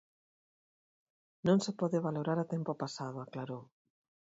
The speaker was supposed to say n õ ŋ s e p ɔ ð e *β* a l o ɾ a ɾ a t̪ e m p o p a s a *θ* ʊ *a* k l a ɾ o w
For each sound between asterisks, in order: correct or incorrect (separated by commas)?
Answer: correct, incorrect, correct